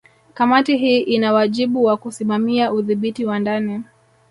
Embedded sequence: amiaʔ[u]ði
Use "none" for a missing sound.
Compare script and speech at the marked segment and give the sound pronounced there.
u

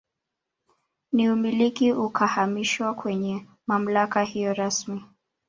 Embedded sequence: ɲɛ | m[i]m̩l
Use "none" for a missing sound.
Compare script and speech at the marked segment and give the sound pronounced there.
a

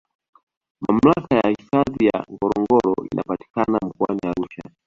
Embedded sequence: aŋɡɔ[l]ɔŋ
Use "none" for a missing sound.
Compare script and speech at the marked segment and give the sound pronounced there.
ɾ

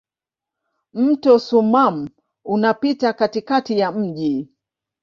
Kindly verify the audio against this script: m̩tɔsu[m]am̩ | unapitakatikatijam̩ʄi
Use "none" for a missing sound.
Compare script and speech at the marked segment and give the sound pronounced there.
m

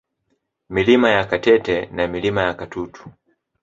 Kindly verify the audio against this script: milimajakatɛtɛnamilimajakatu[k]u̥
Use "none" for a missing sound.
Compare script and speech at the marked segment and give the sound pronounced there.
t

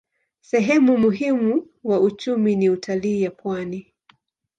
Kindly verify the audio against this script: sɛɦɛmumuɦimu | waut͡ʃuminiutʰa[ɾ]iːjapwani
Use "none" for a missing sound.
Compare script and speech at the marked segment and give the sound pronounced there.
l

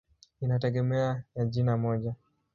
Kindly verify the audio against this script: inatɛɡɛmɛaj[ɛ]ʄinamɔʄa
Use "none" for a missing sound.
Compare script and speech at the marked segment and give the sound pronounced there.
a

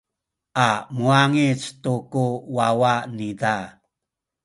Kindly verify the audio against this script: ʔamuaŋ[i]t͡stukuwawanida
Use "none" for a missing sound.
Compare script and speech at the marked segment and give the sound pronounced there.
i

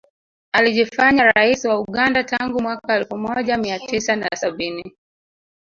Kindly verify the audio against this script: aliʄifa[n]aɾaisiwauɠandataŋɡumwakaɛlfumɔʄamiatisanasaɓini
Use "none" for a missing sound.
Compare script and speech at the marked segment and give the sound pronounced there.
ɲ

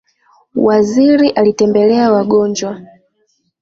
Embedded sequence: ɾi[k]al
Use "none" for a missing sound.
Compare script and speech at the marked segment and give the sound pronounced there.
ʔ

